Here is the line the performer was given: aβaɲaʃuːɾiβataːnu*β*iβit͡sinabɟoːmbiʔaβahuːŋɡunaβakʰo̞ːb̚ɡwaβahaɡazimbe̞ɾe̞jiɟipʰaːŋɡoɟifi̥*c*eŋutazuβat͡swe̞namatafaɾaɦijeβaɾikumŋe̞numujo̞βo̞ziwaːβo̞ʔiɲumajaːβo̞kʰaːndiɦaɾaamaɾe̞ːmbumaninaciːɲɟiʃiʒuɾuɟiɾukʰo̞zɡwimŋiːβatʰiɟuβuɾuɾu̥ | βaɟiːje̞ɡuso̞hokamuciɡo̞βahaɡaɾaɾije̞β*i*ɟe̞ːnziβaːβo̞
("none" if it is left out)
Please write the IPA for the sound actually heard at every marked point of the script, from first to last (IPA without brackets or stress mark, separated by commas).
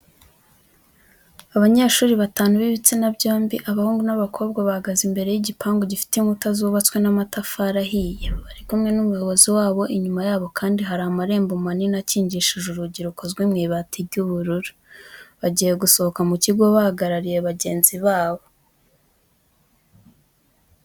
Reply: β, t, a